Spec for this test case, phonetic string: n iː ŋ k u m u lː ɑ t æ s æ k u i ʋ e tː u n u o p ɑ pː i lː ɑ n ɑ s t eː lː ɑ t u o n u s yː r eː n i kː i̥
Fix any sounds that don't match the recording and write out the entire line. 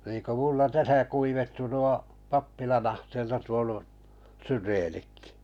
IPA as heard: n iː ŋ k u m u lː ɑ t æ s æ k u i ʋ e tː u n u o p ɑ pː i l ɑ n ɑ h t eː lː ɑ t u o n u s y r eː n i kː i̥